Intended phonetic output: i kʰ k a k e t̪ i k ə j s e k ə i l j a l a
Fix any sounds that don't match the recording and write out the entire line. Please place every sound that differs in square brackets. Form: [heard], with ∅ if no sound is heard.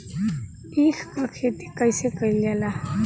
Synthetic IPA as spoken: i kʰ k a [kʰ] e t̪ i k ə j s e k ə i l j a l a